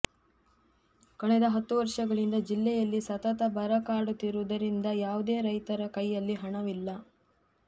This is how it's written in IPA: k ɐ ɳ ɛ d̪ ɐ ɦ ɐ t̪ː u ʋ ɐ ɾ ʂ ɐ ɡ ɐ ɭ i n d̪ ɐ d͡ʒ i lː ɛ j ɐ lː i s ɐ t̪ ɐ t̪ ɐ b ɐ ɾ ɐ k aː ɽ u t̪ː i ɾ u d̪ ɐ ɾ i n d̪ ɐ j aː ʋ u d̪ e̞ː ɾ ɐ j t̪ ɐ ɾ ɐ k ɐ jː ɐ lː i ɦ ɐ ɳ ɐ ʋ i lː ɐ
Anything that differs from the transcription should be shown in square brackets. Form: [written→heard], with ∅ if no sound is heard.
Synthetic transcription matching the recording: k ɐ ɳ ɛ d̪ ɐ ɦ ɐ t̪ː u ʋ ɐ ɾ ʂ ɐ ɡ ɐ ɭ i n d̪ ɐ d͡ʒ i lː ɛ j ɐ lː i s ɐ t̪ ɐ t̪ ɐ b ɐ ɾ ɐ k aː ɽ u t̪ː i ɾ u d̪ ɐ ɾ i n d̪ ɐ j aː ʋ u d̪ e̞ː ɾ ɐ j t̪ ɐ ɾ ɐ k ɐ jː ɐ lː i ɦ ɐ ɳ ɐ ʋ i lː ɐ